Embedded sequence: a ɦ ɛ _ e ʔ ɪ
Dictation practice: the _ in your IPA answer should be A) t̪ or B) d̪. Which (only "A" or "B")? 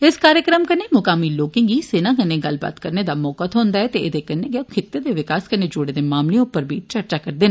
A